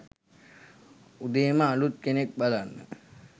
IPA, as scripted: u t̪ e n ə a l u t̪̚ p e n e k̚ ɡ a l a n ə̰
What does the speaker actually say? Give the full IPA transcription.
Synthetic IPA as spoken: u d̪ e m ə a l u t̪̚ k e n e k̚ b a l a nː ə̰